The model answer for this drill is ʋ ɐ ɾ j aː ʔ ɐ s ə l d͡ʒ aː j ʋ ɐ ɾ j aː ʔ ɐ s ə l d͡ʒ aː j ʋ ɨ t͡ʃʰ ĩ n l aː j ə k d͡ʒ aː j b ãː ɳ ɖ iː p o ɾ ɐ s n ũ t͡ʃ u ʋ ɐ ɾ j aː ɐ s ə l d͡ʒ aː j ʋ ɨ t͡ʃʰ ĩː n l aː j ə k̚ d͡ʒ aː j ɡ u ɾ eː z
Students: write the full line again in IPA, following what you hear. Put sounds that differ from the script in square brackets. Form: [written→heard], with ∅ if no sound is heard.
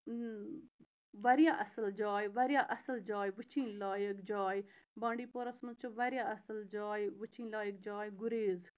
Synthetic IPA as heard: ʋ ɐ ɾ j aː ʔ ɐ s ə l d͡ʒ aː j ʋ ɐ ɾ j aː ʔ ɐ s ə l d͡ʒ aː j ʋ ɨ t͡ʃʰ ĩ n l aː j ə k d͡ʒ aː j b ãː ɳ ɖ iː p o ɾ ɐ s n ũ t͡ʃ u ʋ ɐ ɾ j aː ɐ s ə l d͡ʒ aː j ʋ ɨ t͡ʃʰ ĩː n l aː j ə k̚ d͡ʒ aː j ɡ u ɾ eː z